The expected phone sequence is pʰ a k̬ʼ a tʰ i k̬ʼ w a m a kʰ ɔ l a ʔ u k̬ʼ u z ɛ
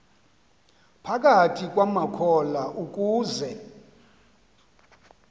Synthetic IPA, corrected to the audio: pʰ a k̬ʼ a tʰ i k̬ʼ w a m a kʰ ɔ l a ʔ u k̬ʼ uː z ɛ